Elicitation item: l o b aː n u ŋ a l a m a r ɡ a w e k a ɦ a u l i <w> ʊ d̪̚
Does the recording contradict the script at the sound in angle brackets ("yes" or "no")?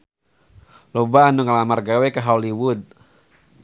no